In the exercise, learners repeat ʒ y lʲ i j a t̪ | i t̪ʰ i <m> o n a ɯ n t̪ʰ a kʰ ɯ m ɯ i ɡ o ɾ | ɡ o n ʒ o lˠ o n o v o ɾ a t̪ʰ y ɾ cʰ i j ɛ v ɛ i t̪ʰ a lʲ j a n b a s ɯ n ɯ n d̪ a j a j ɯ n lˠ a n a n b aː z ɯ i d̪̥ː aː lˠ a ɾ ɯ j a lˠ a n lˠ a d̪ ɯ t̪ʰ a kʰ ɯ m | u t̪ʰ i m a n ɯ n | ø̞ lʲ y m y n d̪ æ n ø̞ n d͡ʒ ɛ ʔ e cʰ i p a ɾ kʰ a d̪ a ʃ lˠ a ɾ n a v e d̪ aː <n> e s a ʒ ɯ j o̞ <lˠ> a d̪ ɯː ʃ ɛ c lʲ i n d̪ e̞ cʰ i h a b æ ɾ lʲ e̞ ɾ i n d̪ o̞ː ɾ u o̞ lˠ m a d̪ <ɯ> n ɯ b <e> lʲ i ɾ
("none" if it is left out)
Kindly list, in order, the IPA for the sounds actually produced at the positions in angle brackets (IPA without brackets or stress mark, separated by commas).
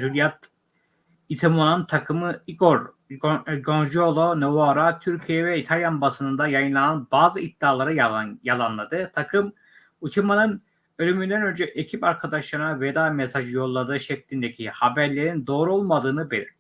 m, m, lˠː, ɯː, e